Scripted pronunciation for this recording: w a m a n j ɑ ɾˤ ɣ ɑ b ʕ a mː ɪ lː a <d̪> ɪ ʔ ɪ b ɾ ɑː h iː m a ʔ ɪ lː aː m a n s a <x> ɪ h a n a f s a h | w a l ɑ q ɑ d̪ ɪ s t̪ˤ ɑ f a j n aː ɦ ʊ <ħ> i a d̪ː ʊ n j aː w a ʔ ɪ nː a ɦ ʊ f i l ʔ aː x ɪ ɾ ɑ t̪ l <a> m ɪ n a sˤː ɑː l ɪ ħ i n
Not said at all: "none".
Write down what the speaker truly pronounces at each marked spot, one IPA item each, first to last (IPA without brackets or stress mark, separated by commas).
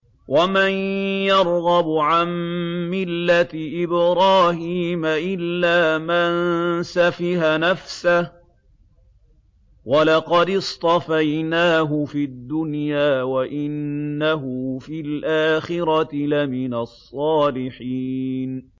t̪, f, f, a